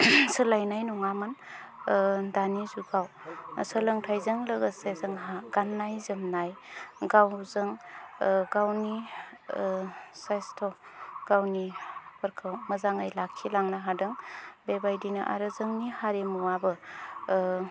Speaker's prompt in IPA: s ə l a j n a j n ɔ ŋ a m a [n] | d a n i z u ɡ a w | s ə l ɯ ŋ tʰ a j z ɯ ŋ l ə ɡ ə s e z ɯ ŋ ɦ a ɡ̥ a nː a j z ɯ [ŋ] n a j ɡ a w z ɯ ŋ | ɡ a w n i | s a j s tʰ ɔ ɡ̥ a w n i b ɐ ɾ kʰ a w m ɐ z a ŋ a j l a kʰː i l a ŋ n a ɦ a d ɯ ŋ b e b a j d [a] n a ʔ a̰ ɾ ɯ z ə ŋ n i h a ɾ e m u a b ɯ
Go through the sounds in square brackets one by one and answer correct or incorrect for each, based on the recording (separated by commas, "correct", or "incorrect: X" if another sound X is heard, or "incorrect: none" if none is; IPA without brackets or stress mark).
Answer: correct, incorrect: m, incorrect: i